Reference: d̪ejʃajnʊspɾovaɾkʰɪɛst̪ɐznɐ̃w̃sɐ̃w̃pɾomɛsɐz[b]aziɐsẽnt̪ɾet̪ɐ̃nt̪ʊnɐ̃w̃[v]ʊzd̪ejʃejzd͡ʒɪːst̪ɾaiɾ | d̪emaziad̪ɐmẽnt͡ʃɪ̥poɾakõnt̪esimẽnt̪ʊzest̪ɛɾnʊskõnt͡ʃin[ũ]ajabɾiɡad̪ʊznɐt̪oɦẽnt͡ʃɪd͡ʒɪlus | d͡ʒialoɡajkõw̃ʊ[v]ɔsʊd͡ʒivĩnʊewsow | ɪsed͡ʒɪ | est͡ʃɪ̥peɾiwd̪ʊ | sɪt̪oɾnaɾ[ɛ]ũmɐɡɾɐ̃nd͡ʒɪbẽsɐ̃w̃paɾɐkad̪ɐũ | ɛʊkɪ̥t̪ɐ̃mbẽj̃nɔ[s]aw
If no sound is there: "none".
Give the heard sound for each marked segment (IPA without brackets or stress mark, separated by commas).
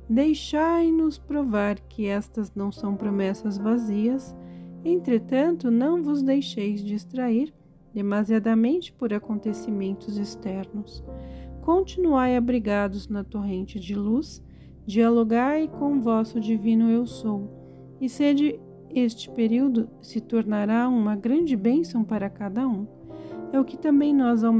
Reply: v, v, u, v, a, z